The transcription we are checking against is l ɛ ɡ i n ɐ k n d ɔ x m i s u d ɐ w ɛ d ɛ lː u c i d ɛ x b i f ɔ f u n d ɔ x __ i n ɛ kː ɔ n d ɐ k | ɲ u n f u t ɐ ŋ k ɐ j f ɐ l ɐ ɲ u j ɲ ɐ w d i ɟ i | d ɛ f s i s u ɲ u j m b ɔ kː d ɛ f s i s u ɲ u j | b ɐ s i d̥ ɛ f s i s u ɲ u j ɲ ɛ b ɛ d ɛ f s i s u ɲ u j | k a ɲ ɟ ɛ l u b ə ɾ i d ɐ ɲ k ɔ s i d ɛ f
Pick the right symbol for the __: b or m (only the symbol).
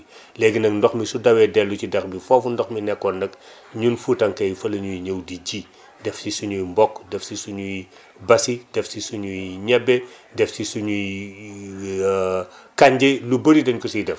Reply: m